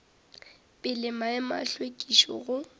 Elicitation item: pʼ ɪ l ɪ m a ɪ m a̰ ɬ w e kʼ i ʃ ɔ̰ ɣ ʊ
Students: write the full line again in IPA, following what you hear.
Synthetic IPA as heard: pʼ ɪ l ɪ m a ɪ m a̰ ɬ w e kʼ i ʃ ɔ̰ ɣ ʊ